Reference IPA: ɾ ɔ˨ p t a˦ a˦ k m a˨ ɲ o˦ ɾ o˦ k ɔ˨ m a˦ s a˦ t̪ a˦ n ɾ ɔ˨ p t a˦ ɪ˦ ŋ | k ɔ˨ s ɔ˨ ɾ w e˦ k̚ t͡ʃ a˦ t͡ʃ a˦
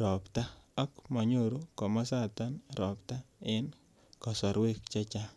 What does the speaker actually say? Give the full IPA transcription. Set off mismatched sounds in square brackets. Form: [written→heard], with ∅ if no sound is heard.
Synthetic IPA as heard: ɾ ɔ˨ p t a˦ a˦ k m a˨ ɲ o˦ ɾ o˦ k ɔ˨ m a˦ s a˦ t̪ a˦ n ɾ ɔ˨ p t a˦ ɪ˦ [ŋ→n] | k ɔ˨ s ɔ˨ ɾ w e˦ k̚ t͡ʃ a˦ t͡ʃ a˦

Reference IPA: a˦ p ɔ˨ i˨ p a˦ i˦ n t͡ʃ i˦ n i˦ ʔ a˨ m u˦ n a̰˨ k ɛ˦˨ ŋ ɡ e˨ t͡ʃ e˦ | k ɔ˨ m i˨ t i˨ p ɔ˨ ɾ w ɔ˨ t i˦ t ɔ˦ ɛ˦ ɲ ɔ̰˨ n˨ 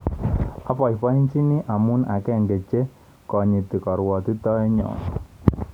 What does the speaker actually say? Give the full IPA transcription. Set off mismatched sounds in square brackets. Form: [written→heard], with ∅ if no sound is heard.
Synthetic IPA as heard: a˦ p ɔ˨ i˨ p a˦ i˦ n t͡ʃ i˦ n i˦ ʔ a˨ m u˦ n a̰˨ k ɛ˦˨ ŋ ɡ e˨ t͡ʃ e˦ | k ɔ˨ [m→ɲ] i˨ t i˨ [p→k] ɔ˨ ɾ w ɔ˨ t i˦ t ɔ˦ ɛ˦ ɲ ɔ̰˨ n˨

